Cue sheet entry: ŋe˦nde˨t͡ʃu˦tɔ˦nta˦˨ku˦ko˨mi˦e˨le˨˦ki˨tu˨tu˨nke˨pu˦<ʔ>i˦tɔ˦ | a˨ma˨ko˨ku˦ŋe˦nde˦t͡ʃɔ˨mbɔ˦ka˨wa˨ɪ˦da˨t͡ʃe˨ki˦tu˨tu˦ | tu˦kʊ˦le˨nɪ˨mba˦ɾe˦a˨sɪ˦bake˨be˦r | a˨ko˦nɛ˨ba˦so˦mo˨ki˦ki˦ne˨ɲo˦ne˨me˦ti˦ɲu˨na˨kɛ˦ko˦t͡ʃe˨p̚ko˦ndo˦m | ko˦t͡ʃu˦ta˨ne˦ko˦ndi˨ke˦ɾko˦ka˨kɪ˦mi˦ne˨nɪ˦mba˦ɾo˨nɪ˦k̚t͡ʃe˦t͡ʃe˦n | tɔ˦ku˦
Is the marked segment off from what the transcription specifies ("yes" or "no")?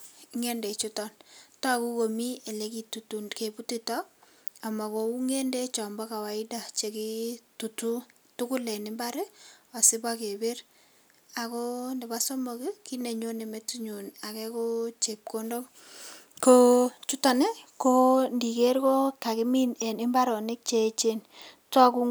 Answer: yes